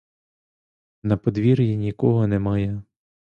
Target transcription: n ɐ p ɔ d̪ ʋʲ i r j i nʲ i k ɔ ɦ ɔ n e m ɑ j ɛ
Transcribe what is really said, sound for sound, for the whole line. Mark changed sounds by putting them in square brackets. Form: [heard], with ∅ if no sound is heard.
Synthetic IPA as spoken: n ɐ p ɔ d̪ ʋʲ i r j i nʲ i k ɔ ɦ ɔ n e m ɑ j ɛ